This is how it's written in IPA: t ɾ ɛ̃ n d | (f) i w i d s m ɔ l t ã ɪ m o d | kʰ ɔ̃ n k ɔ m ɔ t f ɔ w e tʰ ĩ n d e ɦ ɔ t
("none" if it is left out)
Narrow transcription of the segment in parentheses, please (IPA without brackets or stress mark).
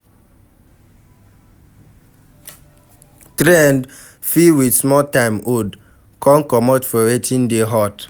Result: f